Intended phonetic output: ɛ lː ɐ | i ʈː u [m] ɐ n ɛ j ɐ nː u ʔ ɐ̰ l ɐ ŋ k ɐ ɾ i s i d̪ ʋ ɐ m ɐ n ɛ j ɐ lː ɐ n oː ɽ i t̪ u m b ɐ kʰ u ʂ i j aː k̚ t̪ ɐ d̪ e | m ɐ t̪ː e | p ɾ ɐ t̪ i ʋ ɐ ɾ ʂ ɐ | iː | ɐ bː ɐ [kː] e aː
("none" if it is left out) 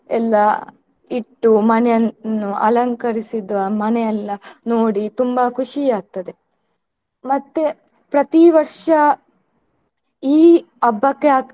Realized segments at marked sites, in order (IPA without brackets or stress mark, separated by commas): m, kː